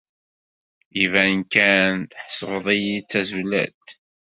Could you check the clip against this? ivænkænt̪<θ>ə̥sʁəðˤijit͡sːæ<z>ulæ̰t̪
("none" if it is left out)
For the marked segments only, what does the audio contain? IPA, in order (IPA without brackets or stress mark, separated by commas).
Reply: ħ, z